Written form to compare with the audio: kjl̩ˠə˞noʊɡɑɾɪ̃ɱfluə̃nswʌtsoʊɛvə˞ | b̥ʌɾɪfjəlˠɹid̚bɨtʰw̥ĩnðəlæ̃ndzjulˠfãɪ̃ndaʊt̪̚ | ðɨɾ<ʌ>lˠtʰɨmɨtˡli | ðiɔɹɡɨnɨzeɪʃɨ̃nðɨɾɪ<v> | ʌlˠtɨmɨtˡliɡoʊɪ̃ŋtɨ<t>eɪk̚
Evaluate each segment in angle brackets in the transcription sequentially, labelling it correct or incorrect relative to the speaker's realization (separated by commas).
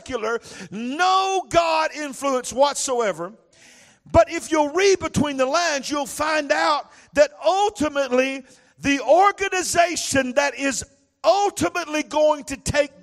correct, incorrect, incorrect